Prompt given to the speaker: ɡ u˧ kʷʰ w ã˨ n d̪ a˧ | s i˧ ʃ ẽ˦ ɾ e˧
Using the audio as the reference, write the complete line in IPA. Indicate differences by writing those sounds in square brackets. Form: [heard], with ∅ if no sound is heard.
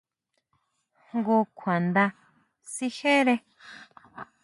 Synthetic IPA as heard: ɡ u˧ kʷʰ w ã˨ n d̪ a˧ | s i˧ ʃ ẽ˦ ɾ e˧